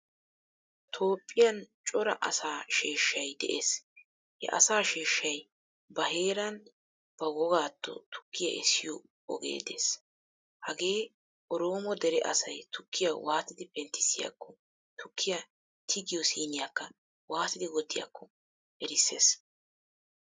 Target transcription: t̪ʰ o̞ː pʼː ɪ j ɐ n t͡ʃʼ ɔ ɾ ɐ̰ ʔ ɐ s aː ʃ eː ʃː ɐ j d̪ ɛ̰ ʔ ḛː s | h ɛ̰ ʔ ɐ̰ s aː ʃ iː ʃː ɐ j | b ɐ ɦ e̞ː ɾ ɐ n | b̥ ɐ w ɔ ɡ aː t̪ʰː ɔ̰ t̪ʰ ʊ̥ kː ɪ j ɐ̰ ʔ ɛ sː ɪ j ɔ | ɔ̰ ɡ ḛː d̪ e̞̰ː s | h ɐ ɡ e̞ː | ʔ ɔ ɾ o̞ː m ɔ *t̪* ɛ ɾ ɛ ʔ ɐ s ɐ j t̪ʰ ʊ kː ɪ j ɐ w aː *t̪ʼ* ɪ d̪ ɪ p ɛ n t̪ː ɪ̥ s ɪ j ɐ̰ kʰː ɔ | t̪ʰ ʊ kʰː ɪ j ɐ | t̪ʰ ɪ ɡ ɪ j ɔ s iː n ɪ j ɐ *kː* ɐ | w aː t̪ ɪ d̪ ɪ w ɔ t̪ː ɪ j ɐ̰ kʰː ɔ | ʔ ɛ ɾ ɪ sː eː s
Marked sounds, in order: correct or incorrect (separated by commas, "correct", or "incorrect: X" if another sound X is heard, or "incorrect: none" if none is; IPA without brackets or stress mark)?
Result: incorrect: d̪, incorrect: t̪, correct